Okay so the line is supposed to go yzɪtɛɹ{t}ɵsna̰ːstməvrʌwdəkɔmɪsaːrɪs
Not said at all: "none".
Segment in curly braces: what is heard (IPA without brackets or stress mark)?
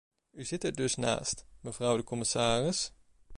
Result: d